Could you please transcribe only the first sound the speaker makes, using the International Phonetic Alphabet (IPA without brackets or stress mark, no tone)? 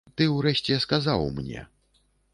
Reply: t̪